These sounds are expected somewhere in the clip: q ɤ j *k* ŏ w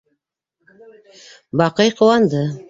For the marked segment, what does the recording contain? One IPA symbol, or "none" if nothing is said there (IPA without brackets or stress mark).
q